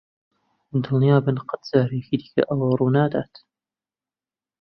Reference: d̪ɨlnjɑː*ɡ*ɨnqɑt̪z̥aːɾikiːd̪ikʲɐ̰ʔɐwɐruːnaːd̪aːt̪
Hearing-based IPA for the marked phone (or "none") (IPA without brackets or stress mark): b